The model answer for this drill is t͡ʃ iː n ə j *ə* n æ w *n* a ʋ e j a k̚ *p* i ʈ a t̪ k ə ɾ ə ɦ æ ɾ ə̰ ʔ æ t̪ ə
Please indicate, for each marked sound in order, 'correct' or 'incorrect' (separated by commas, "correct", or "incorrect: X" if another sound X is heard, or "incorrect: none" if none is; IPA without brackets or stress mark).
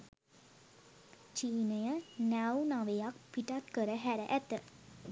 correct, correct, correct